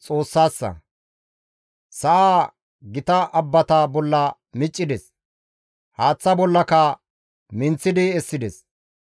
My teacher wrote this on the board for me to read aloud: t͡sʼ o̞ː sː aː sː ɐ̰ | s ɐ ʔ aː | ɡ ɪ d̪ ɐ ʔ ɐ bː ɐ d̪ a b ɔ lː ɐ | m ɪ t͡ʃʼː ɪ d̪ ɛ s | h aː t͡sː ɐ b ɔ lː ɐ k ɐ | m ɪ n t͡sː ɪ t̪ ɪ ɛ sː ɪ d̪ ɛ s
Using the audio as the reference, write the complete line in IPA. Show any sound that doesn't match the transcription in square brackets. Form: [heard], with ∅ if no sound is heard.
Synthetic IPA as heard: t͡sʼ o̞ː sː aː sː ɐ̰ | s ɐ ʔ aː | ɡ ɪ [t̪] ɐ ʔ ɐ bː ɐ [t̪] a b ɔ lː ɐ | m ɪ t͡ʃʼː ɪ d̪ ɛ s | h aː t͡sː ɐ b ɔ lː ɐ k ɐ | m ɪ n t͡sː ɪ [d̪] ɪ ɛ sː ɪ d̪ ɛ s